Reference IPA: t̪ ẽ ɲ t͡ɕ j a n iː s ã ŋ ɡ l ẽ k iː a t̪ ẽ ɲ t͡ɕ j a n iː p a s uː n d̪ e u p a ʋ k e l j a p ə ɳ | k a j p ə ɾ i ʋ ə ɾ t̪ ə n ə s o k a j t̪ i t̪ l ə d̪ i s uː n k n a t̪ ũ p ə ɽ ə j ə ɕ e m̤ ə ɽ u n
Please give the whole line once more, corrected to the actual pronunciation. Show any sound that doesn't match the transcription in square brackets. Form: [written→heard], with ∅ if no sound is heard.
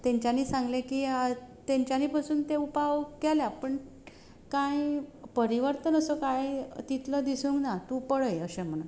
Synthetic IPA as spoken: t̪ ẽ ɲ t͡ɕ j a n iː s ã ŋ ɡ l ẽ k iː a t̪ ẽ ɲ t͡ɕ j a n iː p a s uː n [d̪→t̪] e u p a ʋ k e l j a p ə ɳ | k a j p ə ɾ i ʋ ə ɾ t̪ ə n ə s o k a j t̪ i t̪ l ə d̪ i s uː [n→ŋ] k n a t̪ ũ p ə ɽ ə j ə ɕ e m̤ ə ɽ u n